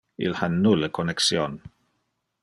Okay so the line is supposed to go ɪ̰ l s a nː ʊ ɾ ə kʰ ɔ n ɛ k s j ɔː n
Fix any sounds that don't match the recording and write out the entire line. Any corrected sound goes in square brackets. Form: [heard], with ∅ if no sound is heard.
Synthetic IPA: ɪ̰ l [h] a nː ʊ [l] ə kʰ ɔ n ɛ k s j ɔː n